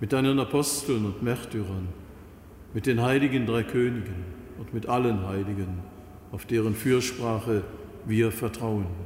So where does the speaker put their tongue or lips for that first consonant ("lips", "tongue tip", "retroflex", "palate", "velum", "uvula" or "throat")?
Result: lips